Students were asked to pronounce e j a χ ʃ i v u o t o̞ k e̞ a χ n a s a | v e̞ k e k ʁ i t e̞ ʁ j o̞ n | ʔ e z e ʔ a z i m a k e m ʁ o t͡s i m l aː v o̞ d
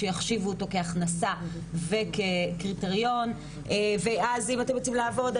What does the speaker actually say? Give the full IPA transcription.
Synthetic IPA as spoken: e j a χ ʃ i v u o t o̞ k e̞ a χ n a s a | v e̞ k e k ʁ i t e̞ ʁ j o̞ n | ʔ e v e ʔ a z i m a t e m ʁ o t͡s i m l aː v o̞ d